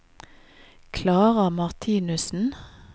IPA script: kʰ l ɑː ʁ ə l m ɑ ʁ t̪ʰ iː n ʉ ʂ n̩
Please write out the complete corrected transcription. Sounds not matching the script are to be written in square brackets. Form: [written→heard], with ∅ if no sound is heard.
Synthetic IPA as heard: kʰ l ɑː ʁ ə [l→∅] m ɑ ʁ t̪ʰ iː n ʉ [ʂ→s] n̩